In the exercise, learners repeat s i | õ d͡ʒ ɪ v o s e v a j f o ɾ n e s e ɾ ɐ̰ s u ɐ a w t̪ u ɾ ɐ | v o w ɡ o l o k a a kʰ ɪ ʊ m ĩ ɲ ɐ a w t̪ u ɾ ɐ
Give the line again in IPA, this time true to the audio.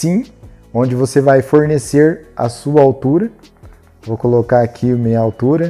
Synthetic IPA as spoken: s ĩ | õ d͡ʒ ɪ v o s e v a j f o ɾ n e s e ɾ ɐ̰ s u ɐ a w t̪ u ɾ ɐ | v o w k o l o k a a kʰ i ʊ m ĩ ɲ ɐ a w t̪ u ɾ ɐ